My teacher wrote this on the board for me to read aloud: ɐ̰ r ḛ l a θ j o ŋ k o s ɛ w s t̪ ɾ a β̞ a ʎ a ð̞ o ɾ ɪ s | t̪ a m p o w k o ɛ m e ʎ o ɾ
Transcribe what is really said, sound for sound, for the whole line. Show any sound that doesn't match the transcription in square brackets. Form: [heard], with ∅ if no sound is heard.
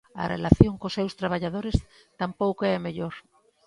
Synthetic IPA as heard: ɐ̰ r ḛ l a θ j o ŋ k o s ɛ w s t̪ ɾ a β̞ a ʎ a ð̞ o ɾ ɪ s | t̪ a m p o w k o ɛ m e ʎ o ɾ